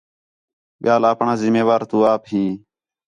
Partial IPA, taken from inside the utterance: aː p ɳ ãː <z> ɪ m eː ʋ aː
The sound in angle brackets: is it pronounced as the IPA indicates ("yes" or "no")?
yes